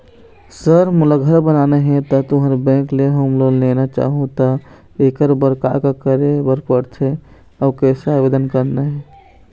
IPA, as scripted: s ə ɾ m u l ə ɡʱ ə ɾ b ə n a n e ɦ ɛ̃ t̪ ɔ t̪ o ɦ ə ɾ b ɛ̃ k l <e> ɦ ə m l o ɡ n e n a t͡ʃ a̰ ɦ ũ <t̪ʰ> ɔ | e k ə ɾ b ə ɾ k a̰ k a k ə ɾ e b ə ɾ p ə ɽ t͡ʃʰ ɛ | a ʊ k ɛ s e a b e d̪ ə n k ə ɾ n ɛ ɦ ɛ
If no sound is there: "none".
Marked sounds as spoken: e, t̪

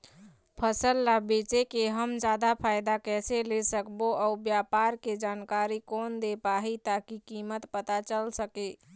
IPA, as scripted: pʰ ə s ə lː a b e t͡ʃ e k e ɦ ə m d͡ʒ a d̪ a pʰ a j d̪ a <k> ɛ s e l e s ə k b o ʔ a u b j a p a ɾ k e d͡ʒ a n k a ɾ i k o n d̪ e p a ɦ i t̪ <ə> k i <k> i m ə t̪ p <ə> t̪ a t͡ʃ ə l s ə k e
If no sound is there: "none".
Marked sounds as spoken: k, a, k, ə

